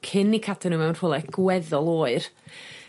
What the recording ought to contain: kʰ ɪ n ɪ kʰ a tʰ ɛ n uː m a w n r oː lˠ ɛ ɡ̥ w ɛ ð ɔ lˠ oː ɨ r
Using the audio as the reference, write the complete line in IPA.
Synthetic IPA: kʰ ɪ n i kʰ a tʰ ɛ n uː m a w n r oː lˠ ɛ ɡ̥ w ɛ ð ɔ lˠ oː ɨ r